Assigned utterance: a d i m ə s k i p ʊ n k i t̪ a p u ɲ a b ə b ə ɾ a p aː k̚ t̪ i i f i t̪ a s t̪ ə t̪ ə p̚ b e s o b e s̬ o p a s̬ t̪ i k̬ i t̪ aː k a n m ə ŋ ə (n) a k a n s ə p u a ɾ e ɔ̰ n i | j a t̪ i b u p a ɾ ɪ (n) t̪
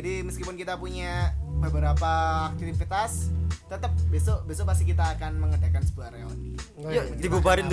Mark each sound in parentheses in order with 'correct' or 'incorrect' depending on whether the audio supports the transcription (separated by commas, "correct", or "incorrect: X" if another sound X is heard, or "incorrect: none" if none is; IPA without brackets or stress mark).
incorrect: d, correct